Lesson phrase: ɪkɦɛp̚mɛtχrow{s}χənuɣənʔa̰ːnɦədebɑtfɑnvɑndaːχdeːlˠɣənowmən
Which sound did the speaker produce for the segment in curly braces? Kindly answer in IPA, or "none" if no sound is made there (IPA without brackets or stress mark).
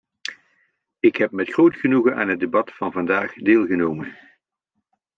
t